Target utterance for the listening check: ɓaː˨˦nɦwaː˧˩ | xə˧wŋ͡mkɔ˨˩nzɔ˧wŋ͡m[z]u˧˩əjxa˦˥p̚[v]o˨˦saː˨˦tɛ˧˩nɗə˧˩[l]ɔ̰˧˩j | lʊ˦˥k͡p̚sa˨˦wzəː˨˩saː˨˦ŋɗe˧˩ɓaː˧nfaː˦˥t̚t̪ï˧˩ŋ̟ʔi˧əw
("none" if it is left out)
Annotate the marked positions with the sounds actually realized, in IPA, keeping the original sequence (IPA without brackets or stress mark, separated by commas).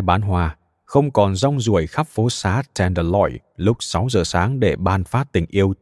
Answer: z, f, l